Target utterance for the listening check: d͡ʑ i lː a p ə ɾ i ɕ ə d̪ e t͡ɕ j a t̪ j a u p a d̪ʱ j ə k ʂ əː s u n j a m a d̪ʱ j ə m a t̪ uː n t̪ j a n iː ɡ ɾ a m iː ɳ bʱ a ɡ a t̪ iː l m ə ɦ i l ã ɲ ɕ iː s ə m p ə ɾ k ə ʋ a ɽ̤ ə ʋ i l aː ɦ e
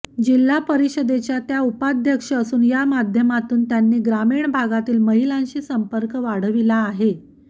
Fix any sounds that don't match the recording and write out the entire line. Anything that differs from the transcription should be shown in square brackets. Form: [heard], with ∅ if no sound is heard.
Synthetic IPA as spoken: d͡ʑ i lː a p ə ɾ i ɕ ə d̪ e t͡ɕ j a t̪ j a u p a d̪ʱ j ə k ʂ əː s [uː] n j a m a d̪ʱ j ə m a t̪ uː n t̪ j a [nː] iː ɡ ɾ a m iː ɳ bʱ a ɡ a t̪ iː l m ə ɦ i l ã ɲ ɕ iː s ə m p ə ɾ k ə ʋ a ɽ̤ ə ʋ i l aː ɦ e